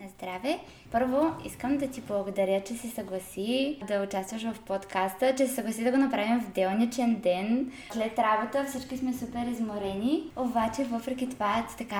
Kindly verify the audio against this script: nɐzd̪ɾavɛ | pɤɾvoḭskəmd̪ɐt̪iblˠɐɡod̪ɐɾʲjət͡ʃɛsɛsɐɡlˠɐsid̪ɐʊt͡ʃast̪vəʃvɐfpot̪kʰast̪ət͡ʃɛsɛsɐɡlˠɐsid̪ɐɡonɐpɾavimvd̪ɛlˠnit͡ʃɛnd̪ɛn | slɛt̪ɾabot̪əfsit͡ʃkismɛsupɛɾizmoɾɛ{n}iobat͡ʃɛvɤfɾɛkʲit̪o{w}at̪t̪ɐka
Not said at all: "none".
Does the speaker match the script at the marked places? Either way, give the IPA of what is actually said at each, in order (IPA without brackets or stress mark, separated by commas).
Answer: n, v